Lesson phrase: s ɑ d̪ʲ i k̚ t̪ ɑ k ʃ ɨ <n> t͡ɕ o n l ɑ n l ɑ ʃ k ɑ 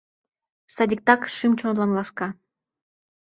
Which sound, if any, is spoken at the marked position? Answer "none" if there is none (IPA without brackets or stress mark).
m